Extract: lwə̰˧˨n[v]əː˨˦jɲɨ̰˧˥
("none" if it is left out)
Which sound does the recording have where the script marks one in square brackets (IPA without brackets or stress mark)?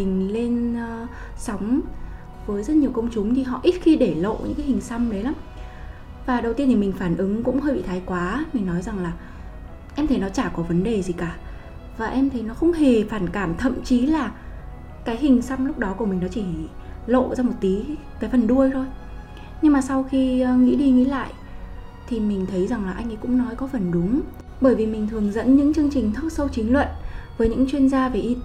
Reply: v